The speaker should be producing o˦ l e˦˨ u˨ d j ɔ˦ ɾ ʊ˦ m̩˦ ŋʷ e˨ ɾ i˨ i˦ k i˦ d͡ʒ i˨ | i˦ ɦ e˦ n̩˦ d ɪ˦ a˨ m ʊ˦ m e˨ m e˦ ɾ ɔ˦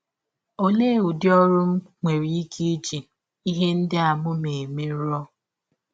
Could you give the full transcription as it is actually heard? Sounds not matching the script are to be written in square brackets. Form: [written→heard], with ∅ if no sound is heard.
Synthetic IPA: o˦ l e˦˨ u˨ d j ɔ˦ ɾ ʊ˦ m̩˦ ŋʷ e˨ ɾ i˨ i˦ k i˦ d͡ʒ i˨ | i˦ ɦ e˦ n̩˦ d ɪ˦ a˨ m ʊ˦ m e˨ m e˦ ɾ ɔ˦